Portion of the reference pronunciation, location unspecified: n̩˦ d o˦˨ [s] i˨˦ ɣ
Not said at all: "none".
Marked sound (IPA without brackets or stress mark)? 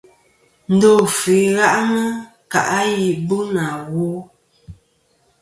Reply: f